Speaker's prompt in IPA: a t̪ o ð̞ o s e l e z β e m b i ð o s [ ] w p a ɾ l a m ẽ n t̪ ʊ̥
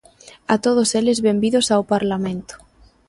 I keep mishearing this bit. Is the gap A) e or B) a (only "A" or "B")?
B